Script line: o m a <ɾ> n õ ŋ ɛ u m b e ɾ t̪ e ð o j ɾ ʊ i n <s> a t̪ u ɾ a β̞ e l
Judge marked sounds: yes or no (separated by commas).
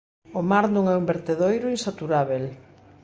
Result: yes, yes